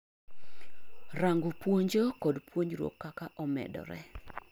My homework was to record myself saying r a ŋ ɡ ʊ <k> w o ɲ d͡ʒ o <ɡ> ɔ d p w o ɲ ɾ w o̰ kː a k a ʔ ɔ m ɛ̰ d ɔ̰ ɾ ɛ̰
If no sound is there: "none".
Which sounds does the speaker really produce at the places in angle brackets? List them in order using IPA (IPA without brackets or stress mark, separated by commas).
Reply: p, k